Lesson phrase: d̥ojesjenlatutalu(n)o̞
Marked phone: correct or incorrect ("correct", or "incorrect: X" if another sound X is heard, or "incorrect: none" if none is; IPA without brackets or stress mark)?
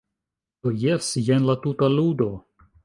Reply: incorrect: d